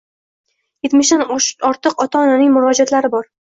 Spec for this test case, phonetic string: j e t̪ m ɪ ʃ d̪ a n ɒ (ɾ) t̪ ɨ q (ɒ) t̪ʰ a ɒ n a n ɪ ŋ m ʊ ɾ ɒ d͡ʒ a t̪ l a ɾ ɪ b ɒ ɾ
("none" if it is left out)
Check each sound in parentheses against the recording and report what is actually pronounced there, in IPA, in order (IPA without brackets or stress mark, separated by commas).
ɾ, ɒ